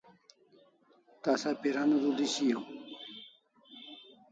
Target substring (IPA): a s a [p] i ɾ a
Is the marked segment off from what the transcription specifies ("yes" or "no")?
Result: no